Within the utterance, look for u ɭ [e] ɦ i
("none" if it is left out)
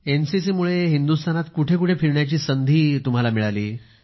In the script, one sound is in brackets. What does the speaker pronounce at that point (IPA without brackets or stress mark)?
e